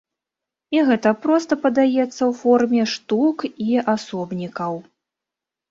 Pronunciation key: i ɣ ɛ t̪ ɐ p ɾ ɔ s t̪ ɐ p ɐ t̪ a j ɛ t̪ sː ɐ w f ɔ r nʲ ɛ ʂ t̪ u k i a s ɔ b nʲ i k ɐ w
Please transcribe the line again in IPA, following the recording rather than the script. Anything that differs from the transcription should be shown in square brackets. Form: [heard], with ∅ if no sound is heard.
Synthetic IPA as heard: i ɣ ɛ t̪ ɐ p ɾ ɔ s t̪ ɐ p ɐ [d̪] a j ɛ t̪ sː ɐ w f ɔ r [mʲ] ɛ ʂ t̪ u k i a s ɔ b nʲ i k ɐ w

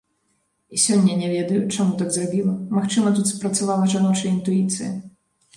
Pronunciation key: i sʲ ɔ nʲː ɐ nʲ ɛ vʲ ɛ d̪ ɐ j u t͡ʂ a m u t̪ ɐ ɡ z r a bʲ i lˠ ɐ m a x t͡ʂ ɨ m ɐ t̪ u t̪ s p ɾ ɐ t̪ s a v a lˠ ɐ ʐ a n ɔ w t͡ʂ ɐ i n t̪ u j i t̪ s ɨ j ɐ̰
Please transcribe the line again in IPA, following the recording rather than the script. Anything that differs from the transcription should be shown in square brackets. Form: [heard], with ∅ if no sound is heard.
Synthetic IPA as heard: i sʲ ɔ nʲː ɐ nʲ ɛ vʲ ɛ d̪ ɐ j u t͡ʂ a m u t̪ [a] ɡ z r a bʲ i lˠ ɐ m a x t͡ʂ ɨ m ɐ t̪ u t̪ s p ɾ ɐ t̪ s a v a lˠ ɐ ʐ a n ɔ w t͡ʂ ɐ i n t̪ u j i t̪ s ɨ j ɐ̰

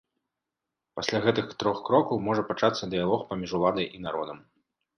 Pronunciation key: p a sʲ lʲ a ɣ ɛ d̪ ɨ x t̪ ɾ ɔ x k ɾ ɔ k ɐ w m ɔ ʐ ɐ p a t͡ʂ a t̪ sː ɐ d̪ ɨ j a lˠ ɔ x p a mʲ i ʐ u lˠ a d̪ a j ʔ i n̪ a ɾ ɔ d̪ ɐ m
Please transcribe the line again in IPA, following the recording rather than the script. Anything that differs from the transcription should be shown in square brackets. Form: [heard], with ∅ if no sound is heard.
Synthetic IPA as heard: p a sʲ lʲ a ɣ ɛ [t̪] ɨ x t̪ ɾ ɔ x k ɾ ɔ k ɐ w m ɔ ʐ ɐ p a t͡ʂ a t̪ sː ɐ d̪ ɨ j a lˠ ɔ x p a mʲ i ʐ u lˠ a d̪ [ɐ] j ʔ i n̪ a ɾ ɔ d̪ ɐ m

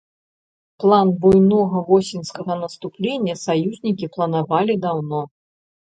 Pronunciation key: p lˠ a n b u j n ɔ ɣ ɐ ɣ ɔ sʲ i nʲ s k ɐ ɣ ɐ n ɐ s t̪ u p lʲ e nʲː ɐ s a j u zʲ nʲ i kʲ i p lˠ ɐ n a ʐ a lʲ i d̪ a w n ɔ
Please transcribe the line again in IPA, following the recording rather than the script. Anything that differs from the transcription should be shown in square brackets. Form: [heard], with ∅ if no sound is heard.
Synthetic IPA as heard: p lˠ a n b u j n ɔ ɣ ɐ [v] ɔ sʲ i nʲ s k ɐ ɣ ɐ n ɐ s t̪ u p lʲ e nʲː ɐ s a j u zʲ nʲ i kʲ i p lˠ ɐ n a [v] a lʲ i d̪ a w n ɔ

